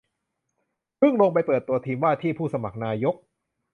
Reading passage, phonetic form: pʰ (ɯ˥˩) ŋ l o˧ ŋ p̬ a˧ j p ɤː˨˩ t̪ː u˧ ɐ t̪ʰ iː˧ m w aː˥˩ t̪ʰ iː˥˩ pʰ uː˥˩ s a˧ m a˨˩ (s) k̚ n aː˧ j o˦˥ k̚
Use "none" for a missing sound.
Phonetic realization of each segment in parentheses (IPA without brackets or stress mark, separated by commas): ɯ˥˩, none